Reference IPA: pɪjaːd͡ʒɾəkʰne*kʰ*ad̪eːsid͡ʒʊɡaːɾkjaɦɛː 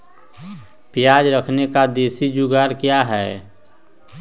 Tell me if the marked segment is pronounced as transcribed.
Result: no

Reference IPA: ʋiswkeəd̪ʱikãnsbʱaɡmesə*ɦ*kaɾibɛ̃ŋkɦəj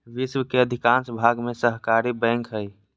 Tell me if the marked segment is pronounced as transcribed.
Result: yes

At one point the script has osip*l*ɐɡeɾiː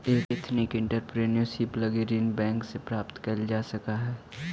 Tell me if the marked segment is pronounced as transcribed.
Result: yes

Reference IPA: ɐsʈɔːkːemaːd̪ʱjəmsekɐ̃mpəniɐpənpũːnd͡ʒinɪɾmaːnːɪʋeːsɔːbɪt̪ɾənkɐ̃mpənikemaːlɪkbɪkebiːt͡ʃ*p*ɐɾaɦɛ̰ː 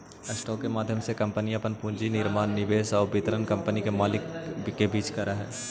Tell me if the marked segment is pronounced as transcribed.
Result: no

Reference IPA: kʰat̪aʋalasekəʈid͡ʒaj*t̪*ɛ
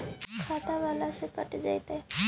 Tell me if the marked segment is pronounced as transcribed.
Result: yes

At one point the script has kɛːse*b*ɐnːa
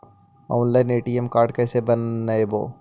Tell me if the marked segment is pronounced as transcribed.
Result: yes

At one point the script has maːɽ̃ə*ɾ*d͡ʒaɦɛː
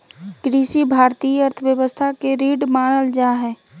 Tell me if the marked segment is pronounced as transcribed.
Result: no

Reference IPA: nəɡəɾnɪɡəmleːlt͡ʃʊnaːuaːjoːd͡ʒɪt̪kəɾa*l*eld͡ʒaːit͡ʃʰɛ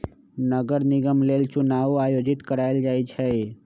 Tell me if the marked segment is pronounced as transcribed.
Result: no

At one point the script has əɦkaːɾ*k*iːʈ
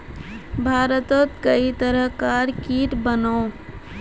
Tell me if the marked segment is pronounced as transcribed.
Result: yes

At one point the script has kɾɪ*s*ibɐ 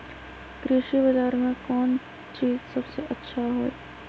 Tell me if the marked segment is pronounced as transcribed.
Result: no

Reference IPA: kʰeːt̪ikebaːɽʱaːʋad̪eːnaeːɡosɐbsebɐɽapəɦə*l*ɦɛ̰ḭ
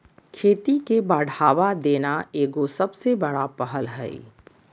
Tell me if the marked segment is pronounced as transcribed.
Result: yes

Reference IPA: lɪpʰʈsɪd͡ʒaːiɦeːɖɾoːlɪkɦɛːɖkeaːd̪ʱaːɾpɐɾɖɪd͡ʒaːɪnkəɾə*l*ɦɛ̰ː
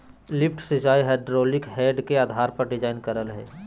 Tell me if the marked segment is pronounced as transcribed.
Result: yes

